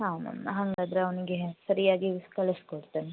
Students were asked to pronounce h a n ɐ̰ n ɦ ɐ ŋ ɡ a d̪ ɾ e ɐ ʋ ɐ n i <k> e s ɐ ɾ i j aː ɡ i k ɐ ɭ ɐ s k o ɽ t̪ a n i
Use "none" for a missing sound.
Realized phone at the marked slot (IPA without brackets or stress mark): ɡ